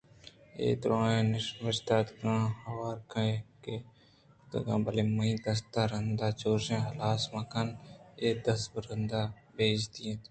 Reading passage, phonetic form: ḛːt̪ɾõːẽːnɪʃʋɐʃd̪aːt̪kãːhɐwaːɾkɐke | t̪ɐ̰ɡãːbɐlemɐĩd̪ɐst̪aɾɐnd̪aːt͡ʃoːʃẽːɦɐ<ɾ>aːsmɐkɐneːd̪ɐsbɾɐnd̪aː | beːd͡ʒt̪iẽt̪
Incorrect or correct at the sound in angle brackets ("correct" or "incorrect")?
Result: incorrect